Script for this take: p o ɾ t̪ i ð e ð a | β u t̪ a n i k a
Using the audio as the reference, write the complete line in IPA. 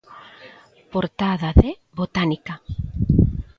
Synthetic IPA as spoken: p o ɾ t̪ a ð a ð e | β o t̪ a n i k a